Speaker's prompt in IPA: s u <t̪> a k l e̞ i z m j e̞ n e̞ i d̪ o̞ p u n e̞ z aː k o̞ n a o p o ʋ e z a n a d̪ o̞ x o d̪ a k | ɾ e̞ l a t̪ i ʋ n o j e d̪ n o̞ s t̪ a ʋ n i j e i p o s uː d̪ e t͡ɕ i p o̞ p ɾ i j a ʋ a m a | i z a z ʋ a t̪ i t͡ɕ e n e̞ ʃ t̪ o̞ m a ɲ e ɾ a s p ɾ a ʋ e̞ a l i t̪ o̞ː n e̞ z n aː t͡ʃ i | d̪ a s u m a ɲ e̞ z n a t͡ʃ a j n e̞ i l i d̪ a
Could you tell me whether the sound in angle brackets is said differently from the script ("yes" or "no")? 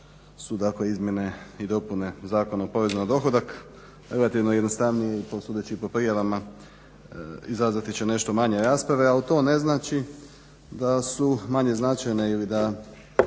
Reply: yes